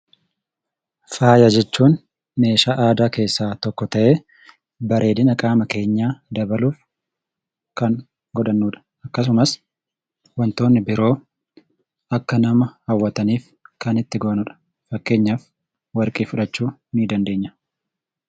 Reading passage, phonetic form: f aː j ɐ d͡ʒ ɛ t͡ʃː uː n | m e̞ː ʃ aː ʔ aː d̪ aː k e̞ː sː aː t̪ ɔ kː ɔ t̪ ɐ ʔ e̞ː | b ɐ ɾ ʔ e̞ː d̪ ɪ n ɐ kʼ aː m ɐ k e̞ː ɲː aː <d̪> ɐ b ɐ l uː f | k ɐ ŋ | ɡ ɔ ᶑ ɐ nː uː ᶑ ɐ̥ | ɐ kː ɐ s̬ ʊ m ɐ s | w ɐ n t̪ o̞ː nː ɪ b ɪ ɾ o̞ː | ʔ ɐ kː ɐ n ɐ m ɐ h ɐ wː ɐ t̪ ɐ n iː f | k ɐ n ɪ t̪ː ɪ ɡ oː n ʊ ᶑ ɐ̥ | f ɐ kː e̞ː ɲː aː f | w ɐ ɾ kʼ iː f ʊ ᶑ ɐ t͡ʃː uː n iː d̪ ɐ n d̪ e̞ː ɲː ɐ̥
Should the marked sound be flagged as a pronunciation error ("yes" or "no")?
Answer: no